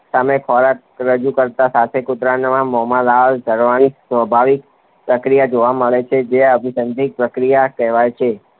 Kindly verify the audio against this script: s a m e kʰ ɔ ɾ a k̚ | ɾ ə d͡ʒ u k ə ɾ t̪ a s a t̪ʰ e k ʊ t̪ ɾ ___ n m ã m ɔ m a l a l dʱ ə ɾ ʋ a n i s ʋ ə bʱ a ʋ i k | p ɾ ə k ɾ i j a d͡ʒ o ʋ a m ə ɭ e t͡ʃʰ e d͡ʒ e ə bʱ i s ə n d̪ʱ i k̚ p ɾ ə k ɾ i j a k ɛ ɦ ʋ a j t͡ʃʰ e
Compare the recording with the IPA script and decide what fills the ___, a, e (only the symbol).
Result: a